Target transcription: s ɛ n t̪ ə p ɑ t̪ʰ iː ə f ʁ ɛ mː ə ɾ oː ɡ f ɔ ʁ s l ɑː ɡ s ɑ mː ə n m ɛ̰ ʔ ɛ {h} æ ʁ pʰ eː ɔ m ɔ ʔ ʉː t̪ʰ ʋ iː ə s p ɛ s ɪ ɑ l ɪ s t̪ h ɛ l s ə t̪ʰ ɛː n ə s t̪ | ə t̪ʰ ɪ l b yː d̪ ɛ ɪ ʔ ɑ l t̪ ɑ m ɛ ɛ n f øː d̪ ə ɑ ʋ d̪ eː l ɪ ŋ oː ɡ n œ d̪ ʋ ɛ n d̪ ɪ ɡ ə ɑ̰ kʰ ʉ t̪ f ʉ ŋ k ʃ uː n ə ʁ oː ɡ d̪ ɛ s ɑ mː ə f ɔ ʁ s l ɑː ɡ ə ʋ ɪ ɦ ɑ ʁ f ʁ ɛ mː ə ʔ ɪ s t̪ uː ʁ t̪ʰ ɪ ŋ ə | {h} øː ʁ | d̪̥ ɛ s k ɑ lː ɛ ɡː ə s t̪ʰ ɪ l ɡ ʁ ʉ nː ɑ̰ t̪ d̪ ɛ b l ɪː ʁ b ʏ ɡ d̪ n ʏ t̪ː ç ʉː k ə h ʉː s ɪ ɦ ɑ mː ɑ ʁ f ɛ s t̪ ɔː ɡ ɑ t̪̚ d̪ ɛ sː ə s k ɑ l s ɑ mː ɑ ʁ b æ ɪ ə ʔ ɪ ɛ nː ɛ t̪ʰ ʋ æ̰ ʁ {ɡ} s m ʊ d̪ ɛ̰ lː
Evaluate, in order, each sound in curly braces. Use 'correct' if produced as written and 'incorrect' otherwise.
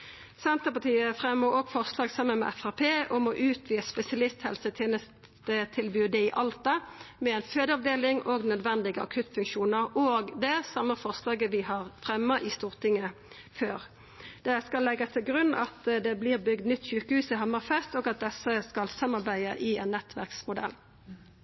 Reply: incorrect, incorrect, incorrect

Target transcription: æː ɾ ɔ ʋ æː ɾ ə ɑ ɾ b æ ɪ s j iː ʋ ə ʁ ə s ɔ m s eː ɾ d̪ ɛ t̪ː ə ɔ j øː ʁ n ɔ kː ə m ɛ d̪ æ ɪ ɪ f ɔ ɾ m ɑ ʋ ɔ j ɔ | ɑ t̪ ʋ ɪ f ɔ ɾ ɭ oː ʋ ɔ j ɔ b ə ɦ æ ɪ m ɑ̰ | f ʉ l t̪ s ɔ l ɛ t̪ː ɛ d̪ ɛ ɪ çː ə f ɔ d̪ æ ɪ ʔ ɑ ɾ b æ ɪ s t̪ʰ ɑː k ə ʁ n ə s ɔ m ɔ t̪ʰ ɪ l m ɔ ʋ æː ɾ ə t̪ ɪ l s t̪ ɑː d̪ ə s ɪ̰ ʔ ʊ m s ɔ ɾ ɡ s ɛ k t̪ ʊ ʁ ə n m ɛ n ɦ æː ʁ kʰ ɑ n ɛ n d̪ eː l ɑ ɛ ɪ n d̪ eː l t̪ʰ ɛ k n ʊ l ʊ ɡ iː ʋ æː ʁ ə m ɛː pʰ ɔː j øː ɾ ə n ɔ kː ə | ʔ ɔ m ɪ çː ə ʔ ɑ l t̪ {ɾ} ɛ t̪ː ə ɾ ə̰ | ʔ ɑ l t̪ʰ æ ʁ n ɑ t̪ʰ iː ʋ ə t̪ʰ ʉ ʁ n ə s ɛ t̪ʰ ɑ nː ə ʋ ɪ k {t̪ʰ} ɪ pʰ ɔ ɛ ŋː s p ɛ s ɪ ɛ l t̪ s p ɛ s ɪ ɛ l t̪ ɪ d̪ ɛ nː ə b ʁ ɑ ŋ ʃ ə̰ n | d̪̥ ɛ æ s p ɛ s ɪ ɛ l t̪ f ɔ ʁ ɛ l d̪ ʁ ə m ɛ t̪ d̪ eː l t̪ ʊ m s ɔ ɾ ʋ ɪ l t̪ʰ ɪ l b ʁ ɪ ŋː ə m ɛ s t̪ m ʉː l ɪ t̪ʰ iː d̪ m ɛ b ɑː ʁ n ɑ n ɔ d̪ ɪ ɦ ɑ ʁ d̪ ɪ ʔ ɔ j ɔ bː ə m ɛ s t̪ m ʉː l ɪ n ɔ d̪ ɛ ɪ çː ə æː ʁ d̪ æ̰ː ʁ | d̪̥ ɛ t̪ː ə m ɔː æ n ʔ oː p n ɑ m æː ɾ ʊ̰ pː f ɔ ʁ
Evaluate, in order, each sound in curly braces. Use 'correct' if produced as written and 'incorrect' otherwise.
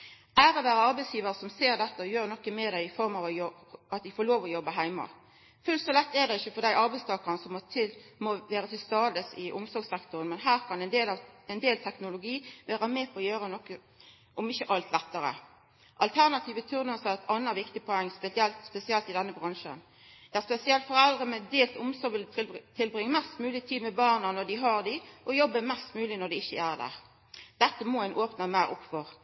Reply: incorrect, incorrect

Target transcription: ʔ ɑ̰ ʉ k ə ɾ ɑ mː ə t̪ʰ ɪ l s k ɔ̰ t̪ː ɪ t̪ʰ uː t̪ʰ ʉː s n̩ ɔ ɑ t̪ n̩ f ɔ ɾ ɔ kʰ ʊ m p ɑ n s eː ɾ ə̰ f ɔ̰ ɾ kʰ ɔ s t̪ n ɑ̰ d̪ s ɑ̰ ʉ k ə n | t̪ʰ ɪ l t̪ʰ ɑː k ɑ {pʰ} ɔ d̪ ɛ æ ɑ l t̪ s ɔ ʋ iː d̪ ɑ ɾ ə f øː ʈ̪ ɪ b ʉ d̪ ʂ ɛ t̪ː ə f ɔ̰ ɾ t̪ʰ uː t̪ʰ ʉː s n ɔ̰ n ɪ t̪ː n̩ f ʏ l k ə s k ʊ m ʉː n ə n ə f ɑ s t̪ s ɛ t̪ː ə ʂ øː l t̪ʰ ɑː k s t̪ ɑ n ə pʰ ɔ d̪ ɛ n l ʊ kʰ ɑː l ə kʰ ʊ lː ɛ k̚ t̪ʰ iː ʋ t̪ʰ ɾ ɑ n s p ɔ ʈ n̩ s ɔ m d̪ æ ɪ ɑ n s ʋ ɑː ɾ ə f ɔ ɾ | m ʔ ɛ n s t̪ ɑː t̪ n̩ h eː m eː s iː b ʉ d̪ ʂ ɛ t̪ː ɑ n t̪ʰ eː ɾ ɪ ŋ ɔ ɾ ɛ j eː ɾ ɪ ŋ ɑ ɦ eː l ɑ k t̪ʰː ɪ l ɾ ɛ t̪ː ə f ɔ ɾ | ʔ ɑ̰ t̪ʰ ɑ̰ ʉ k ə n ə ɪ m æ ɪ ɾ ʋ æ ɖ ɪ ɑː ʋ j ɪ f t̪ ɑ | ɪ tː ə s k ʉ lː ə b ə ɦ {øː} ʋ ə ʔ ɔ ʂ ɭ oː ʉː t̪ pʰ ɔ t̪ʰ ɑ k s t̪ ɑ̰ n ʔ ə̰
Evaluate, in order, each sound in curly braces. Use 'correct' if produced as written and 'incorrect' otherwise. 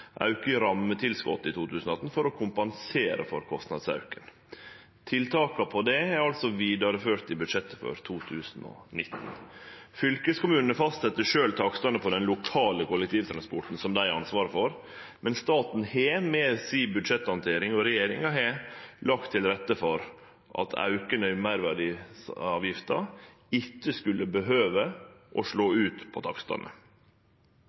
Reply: correct, correct

